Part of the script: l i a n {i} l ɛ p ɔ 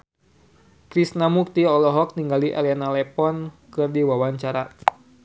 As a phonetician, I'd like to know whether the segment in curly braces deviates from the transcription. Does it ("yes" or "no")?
yes